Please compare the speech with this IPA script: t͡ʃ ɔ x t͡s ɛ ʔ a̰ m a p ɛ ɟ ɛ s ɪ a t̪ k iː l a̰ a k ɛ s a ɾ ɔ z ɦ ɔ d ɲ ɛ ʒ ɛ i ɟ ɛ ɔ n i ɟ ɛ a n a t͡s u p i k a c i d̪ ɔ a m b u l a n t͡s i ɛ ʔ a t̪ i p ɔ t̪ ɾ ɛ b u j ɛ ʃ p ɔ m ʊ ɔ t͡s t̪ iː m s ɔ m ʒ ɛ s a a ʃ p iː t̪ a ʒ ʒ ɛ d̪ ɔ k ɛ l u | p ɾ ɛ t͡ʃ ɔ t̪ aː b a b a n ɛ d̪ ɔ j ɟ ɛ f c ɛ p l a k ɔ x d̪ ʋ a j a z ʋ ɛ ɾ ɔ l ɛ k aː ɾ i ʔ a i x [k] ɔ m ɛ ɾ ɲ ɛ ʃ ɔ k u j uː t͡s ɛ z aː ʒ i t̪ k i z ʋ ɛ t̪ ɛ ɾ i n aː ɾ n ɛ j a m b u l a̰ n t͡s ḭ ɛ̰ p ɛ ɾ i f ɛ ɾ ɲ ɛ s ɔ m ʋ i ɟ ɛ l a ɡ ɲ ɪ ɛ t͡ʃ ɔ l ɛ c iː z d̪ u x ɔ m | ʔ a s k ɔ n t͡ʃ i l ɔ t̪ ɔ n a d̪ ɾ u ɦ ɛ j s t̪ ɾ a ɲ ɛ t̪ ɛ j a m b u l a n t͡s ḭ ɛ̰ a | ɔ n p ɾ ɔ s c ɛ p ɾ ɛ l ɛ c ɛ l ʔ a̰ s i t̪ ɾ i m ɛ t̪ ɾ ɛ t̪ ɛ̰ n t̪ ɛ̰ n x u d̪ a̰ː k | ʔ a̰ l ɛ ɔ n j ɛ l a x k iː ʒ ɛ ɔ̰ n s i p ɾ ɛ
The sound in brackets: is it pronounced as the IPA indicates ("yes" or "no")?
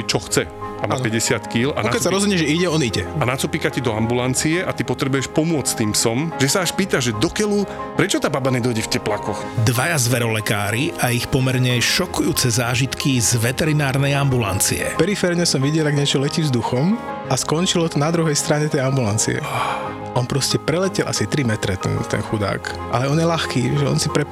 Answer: no